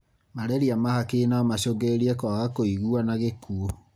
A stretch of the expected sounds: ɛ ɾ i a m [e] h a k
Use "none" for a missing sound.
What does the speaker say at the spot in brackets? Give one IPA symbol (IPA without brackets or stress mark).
a